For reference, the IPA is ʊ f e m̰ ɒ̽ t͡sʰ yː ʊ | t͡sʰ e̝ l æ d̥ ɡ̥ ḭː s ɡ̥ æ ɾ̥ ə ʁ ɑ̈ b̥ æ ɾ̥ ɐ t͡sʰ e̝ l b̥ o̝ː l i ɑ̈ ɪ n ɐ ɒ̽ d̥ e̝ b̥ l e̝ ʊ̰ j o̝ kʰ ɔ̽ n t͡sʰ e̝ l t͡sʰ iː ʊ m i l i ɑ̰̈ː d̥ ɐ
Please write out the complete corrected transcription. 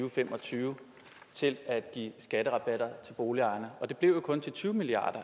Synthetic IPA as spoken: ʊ f e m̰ ɒ̽ t͡sʰ yː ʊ | t͡sʰ e̝ l æ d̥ ɡ̥ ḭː s ɡ̥ æ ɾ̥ ə ʁ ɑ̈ b̥ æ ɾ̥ ɐ t͡sʰ e̝ l b̥ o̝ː l i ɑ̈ ɪ n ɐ ɒ̽ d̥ e̝ b̥ l e̝ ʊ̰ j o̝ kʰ ɔ̽ n t͡sʰ e̝ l t͡sʰ yː ʊ m i l i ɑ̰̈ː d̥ ɐ